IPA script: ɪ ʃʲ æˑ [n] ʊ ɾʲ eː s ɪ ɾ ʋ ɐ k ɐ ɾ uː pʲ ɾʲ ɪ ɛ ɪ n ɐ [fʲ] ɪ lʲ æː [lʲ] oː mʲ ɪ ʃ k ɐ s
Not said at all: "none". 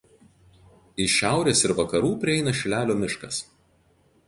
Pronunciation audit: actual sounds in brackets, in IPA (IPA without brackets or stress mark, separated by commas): none, ʃʲ, lʲ